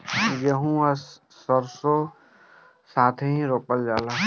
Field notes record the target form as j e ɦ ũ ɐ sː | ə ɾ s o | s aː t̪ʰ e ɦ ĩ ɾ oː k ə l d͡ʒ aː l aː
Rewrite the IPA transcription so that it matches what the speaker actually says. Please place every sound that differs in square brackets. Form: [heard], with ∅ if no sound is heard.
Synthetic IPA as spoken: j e ɦ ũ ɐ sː | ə ɾ s o | s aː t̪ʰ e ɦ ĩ ɾ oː [p] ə l d͡ʒ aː l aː